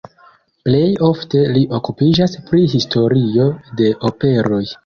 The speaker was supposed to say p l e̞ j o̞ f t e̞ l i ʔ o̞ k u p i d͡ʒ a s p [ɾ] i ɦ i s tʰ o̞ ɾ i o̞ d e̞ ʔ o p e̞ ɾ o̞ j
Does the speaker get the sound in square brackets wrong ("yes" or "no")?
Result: no